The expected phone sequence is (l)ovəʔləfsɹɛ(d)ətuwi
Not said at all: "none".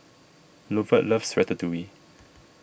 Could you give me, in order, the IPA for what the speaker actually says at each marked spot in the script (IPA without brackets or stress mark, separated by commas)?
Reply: l, t